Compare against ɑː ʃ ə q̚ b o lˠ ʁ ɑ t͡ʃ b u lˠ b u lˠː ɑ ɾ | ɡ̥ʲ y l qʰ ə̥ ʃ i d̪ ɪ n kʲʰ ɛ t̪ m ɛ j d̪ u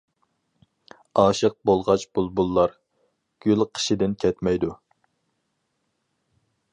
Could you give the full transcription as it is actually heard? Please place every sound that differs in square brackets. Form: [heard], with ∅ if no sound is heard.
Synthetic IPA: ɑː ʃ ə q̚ b o lˠ ʁ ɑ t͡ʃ b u lˠ b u lˠː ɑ ɾ | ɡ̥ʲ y l qʰ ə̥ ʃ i d̪ ɪ n kʲʰ ɛ t̪ m ɛ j d̪ u